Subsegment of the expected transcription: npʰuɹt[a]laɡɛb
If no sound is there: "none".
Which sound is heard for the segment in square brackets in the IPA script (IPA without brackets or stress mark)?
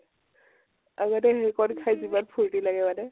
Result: i